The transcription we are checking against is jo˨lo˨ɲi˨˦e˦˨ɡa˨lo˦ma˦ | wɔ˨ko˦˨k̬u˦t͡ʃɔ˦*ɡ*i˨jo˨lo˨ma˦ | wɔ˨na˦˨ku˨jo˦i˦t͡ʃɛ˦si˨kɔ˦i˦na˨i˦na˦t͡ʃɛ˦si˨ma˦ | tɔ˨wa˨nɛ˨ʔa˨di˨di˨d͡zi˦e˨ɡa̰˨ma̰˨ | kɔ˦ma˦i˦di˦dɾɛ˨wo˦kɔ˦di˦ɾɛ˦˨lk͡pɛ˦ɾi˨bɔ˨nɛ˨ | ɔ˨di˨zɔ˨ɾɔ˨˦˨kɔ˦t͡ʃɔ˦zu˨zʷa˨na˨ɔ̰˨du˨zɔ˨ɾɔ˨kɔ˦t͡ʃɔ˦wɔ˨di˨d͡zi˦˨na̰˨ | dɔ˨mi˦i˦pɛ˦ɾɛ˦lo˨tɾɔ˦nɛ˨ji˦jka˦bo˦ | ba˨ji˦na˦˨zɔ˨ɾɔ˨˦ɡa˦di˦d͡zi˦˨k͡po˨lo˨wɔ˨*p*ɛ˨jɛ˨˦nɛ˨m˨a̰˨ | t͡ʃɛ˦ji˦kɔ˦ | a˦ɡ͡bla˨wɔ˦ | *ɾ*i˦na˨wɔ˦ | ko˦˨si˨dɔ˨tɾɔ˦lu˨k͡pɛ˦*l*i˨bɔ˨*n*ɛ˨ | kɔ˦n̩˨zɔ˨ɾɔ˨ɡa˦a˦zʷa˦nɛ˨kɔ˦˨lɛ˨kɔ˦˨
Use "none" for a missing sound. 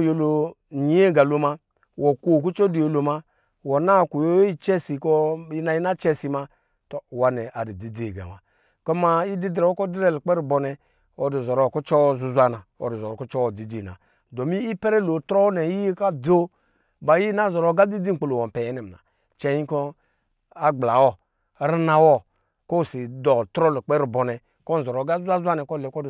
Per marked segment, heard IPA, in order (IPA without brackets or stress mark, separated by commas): d, p, ɾ, ɾ, n